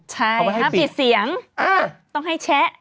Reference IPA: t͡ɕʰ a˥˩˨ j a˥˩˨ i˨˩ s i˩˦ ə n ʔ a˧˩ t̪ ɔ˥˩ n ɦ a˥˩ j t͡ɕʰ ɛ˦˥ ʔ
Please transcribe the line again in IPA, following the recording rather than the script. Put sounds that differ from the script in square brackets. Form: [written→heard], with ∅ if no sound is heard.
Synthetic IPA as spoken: t͡ɕʰ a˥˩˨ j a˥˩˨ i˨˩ s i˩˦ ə [n→ŋ] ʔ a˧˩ t̪ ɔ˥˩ [n→ŋ] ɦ a˥˩ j t͡ɕʰ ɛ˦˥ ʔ